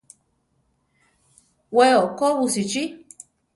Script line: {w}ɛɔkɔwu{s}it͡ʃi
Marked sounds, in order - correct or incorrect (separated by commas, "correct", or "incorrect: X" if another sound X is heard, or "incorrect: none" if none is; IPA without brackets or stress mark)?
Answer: correct, correct